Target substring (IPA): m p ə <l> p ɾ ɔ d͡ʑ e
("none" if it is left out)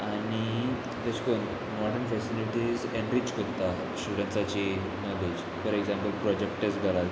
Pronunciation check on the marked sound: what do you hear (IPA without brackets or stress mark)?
l